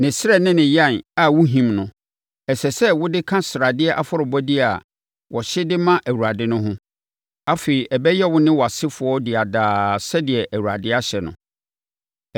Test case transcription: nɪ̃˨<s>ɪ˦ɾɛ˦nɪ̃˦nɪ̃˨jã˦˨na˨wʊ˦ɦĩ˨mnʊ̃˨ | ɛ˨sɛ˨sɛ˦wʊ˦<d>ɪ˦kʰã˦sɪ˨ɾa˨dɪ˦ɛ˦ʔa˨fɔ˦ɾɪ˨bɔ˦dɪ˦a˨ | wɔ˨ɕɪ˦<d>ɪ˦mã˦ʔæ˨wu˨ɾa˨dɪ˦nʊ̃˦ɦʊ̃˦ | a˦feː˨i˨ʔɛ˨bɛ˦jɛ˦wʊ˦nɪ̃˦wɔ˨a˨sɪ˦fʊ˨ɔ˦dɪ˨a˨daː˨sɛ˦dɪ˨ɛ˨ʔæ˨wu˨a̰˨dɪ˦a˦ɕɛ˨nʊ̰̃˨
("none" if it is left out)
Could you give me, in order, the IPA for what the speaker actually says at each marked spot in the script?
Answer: s, d, d

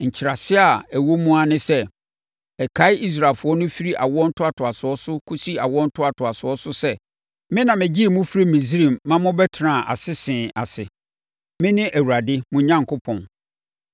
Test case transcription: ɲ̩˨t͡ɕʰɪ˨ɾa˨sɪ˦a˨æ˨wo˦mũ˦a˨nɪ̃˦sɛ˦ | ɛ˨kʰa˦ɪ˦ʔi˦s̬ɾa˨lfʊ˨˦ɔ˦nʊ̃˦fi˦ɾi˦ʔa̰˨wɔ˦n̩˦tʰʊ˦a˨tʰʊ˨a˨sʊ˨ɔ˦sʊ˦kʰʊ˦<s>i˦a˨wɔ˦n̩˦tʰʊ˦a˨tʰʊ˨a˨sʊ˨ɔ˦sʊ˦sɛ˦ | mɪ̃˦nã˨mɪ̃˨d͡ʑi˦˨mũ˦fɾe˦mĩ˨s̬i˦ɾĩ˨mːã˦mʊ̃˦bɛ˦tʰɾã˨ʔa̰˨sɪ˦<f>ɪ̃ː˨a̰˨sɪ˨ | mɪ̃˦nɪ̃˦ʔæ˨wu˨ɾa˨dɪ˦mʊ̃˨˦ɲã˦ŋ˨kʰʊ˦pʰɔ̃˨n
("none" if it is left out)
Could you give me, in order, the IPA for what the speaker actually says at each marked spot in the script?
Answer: s, s

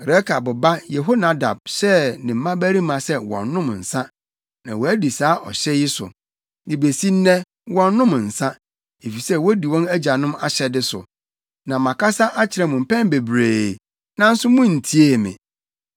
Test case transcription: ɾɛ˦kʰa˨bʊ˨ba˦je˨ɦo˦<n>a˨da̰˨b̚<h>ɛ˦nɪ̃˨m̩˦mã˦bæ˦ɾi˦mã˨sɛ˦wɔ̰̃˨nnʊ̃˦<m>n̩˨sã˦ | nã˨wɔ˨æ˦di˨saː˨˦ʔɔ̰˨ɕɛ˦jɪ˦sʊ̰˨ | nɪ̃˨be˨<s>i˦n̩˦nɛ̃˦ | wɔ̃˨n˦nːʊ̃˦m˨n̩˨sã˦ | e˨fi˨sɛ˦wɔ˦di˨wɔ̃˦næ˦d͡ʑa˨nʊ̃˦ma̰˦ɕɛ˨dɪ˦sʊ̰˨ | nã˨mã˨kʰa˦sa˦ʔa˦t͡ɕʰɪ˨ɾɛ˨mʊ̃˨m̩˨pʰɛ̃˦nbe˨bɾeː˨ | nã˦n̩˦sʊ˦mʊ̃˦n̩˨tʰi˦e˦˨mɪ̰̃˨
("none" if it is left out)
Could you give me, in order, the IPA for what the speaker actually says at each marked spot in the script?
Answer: n, ɕ, m, s

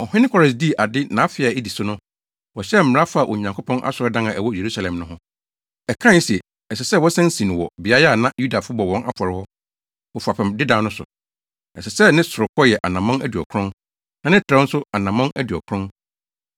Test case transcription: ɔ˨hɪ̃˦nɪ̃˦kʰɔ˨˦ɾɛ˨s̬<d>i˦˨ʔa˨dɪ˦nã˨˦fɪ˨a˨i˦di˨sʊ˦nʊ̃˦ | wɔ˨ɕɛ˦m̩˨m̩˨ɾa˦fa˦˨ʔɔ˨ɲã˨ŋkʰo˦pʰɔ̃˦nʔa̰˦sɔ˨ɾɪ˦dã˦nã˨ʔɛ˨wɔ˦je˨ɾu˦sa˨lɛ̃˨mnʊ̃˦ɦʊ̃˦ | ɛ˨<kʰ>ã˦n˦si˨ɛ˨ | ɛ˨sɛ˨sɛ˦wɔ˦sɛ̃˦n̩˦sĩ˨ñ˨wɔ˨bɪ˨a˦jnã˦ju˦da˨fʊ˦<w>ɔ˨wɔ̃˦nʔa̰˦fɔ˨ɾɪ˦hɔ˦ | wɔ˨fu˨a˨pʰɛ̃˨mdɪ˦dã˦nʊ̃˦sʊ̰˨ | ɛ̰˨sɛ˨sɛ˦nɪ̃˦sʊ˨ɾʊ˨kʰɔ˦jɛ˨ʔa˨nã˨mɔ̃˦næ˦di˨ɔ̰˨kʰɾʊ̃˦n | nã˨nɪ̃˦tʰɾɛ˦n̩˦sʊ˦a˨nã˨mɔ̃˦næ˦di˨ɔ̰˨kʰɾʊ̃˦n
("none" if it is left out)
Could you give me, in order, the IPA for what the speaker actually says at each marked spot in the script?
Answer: d, kʰ, b

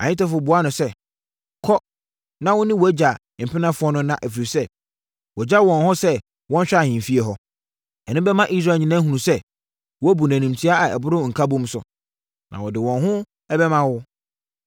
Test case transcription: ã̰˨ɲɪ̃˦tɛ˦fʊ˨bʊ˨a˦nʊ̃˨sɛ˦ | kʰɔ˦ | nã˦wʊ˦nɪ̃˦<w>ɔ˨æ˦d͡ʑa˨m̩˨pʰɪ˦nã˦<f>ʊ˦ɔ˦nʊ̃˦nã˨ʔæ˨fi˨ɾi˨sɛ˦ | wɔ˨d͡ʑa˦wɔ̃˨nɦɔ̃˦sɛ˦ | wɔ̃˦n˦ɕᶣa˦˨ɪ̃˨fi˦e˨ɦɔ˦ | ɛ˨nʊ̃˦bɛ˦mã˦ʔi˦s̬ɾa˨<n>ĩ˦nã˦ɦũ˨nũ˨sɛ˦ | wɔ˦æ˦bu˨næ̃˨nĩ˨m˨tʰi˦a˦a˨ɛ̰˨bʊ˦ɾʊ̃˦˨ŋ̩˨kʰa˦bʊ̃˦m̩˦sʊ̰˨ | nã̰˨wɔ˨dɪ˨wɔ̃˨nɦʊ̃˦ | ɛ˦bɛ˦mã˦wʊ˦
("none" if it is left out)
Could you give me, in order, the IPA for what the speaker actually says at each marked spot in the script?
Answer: w, f, ɲ

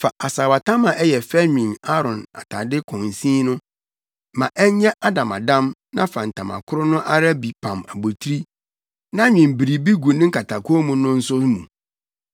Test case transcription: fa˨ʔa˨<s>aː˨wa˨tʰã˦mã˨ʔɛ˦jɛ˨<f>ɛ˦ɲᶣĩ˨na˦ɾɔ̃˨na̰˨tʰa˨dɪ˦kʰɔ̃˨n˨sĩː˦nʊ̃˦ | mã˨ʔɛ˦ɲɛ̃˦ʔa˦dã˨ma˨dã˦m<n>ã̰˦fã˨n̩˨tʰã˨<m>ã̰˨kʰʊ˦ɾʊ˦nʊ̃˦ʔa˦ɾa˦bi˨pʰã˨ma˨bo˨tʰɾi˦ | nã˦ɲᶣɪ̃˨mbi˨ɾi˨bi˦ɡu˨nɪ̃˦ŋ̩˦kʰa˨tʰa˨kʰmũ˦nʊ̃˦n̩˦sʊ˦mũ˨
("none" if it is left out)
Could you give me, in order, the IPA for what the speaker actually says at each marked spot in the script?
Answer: s, f, n, m

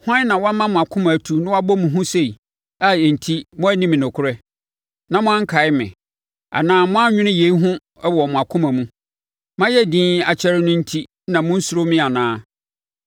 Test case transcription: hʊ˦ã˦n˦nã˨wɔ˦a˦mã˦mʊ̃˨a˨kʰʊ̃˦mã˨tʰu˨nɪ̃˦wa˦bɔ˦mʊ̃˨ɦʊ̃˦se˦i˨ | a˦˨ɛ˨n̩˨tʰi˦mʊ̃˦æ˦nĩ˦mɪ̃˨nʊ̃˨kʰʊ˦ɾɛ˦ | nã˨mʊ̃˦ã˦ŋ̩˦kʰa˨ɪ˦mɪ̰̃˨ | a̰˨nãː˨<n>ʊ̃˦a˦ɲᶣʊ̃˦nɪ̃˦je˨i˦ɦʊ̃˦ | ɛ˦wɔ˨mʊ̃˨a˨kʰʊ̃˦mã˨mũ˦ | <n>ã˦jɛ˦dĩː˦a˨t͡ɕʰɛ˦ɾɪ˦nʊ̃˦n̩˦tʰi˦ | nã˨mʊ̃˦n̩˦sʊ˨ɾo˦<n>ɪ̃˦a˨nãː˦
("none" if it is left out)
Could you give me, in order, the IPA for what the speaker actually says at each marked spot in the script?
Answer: m, m, m

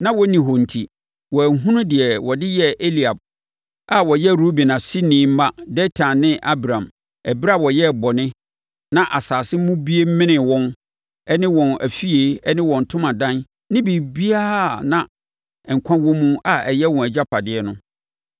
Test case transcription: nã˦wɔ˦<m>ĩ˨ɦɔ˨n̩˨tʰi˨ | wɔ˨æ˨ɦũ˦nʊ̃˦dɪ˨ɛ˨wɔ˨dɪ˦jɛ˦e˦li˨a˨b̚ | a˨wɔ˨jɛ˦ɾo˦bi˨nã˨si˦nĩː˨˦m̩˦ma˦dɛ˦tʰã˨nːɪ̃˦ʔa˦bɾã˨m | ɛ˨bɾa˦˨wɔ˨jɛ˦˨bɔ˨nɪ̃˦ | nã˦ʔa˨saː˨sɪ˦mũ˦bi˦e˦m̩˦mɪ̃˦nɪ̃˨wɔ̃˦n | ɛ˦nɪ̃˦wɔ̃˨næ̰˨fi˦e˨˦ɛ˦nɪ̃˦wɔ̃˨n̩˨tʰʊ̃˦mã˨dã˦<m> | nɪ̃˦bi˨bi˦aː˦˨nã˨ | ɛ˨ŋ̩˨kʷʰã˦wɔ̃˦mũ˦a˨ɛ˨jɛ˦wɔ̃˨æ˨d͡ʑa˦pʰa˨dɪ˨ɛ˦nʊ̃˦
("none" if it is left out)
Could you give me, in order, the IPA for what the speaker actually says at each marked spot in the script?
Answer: n, n

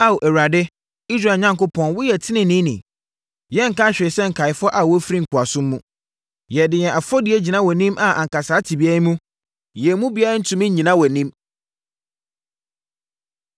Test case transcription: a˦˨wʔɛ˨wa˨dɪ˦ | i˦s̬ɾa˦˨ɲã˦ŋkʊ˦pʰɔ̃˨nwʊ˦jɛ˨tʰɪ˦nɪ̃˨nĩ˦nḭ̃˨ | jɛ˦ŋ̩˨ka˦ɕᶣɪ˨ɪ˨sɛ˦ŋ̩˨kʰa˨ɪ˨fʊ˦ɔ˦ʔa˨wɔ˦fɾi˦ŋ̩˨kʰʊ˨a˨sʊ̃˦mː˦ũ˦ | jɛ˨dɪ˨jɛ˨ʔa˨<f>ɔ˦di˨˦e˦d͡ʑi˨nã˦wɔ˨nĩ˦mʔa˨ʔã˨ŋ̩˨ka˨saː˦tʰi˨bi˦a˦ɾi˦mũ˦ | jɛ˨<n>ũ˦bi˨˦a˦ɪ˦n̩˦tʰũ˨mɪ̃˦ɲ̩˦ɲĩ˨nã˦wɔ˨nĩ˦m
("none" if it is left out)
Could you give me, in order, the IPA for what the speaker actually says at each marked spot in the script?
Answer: f, m

